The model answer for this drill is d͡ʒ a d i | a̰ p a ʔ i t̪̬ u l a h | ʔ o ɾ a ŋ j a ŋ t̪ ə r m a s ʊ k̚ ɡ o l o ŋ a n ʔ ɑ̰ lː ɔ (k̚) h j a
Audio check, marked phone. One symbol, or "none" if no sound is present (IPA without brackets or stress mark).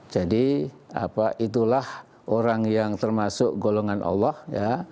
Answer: none